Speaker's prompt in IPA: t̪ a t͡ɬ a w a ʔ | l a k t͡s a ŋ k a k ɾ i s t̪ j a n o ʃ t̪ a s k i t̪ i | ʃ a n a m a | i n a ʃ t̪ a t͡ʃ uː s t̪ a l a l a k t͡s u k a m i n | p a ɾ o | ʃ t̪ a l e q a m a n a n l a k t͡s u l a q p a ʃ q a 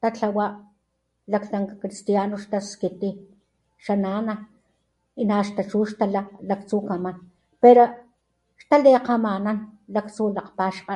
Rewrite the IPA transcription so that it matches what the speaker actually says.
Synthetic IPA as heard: t̪ a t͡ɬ a w a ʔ | l a k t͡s a ŋ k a k ɾ i s t̪ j a n o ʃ t̪ a s k i t̪ i | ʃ a n a n a | i n a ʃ t̪ a t͡ʃ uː ʃ t̪ a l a l a k t͡s u k a m a n | p e ɾ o | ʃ t̪ a l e q a m a n a n l a k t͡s u l a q p a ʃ q a

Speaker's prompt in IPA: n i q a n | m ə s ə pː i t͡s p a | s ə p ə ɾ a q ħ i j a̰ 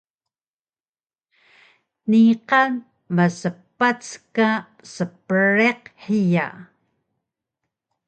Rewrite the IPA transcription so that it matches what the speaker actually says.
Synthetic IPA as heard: n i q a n | m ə s ə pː a t͡s k a | s ə p ə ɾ e q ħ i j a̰

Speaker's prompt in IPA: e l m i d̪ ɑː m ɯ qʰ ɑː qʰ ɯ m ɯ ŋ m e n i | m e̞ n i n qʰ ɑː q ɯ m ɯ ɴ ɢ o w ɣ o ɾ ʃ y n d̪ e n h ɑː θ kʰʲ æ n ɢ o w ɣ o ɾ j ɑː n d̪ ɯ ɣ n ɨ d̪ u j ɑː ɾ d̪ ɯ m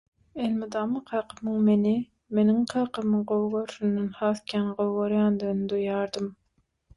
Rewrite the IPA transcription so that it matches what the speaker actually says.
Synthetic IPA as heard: e l m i d̪ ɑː m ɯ qʰ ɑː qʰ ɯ m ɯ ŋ m e n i | m e̞ n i ŋ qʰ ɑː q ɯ m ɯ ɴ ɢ o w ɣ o ɾ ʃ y n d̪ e n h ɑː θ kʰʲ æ n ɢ o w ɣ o ɾ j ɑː n d̪ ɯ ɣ n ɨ d̪ u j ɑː ɾ d̪ ɯ m

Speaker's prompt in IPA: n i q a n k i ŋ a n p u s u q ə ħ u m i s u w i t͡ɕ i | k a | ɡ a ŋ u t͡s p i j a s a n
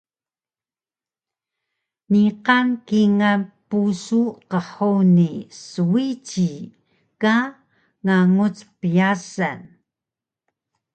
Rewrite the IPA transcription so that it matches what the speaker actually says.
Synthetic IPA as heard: n i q a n k i ŋ a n p u s u q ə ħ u n i s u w i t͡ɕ i | k a | ŋ a ŋ u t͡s p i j a s a n

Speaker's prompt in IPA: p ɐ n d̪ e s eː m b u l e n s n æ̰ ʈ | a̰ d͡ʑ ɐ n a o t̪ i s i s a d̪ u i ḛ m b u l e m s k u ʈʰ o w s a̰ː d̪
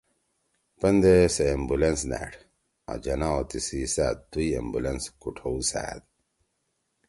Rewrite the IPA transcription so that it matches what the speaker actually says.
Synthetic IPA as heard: p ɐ n d̪ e s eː m b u l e n s n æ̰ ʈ | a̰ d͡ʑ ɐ n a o t̪ i s i s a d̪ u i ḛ m b u l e n s k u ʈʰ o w s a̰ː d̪

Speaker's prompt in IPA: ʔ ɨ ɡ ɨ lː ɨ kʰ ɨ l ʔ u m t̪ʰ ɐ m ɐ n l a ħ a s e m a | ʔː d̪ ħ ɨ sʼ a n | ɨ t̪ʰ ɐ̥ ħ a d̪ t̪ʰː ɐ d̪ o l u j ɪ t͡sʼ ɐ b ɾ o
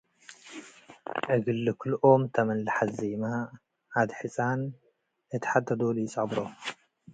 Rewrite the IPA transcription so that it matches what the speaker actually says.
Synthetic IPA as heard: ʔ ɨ ɡ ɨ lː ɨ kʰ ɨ l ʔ o m t̪ʰ ɐ m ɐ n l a ħ a z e m a | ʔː d̪ ħ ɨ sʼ a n | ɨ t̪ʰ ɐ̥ ħ a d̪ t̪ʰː ɐ d̪ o l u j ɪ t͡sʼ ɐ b ɾ o

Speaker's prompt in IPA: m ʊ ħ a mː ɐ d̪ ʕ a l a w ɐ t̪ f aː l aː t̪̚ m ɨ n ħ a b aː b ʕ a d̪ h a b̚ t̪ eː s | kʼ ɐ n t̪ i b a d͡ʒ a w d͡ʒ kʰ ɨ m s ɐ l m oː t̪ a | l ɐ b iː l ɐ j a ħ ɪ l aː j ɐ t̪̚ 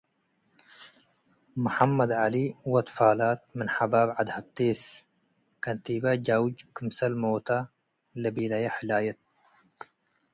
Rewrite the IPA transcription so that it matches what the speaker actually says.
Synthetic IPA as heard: m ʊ ħ a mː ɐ d̪ ʕ a l i w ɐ t̪ f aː l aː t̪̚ m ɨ n ħ a b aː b ʕ a d̪ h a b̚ t̪ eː s | k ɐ n t̪ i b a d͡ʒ a w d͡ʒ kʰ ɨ m s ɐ l m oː t̪ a | l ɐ b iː l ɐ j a ħ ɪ l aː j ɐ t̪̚

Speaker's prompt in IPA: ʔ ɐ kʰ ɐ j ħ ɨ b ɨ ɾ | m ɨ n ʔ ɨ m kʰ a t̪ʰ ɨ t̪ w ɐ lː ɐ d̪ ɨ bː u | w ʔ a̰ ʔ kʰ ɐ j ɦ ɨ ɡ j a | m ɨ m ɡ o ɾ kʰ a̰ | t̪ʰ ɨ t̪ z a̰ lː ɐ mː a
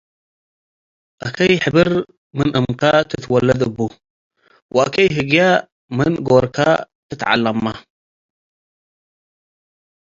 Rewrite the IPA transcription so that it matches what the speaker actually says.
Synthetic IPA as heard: ʔ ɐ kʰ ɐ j ħ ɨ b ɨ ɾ | m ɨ n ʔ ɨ m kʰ a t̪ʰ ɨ t̪ w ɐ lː ɐ d̪ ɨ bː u | w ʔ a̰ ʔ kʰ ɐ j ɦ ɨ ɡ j a | m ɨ n ɡ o ɾ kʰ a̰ | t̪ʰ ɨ t̪ ʕ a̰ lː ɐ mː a

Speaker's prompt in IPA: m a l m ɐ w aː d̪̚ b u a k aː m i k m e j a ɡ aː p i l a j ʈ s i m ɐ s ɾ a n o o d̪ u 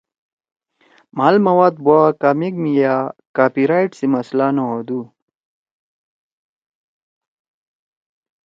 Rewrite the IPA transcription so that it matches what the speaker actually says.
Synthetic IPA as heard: m a l m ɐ w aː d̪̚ b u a k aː m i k m i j a k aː p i ɾ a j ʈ s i m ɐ s l a n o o d̪ u

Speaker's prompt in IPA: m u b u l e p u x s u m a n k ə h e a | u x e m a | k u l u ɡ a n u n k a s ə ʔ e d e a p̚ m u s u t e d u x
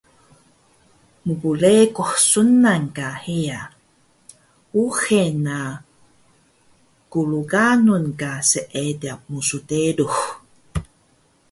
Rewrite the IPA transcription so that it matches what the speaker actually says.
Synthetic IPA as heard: m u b u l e k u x s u n a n k a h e a | u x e n a | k u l u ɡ a n u n k a s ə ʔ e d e a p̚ m u s u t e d u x

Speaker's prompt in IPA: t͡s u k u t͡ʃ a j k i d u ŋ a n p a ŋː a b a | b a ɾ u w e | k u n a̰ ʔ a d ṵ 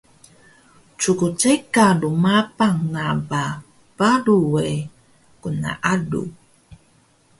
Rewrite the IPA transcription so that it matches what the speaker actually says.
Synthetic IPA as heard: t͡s u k u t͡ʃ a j k a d u m a p a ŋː a b a | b a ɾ u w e | k u n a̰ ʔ a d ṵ

